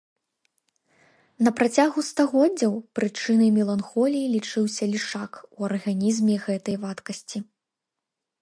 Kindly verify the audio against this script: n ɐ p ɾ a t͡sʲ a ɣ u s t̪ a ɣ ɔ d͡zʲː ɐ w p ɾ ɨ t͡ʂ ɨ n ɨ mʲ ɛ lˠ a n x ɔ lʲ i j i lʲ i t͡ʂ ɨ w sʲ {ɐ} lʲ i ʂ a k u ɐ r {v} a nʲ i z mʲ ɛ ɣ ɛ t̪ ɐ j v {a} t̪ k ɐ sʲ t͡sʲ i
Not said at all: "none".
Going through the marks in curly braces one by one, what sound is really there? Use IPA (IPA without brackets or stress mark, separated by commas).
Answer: ɐ, ɣ, a